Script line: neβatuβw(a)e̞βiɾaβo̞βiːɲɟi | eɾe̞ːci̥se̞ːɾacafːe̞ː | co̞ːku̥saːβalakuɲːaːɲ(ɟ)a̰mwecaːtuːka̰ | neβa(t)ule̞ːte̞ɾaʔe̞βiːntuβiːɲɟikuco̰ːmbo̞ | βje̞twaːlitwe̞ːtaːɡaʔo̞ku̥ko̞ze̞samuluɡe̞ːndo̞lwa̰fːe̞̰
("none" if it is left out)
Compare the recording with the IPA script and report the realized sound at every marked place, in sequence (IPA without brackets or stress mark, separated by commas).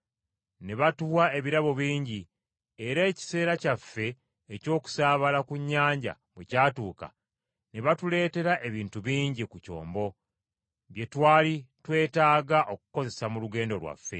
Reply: a, ɟ, t